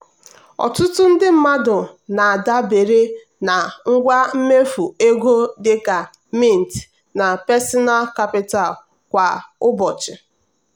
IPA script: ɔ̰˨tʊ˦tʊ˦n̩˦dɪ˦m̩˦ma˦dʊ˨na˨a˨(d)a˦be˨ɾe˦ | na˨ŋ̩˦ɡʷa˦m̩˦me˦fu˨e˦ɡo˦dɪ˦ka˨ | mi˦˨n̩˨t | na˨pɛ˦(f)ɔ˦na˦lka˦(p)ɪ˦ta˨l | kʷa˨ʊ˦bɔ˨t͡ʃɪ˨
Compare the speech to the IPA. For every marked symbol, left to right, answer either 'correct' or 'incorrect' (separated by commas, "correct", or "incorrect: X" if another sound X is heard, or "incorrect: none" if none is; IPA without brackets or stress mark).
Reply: correct, incorrect: s, correct